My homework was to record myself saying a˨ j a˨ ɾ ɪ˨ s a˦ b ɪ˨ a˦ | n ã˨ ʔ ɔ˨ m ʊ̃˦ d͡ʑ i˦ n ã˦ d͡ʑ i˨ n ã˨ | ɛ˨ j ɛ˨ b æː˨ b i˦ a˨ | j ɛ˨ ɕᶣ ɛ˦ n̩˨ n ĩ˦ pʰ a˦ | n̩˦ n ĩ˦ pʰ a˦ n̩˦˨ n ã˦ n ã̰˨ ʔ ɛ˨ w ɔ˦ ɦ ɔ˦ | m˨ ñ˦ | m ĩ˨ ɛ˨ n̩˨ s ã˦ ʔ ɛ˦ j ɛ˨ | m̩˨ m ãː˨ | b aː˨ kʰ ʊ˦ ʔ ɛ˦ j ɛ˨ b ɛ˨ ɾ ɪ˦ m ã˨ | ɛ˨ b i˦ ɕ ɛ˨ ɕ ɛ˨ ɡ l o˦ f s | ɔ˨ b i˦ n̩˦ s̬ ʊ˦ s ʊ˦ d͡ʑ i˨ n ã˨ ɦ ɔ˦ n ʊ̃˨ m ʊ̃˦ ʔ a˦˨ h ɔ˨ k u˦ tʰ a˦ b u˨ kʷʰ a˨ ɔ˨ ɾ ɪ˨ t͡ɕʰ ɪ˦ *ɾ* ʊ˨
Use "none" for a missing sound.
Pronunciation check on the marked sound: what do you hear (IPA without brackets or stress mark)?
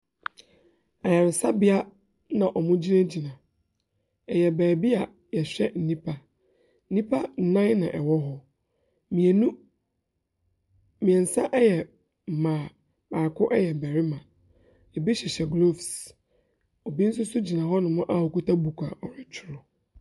ɾ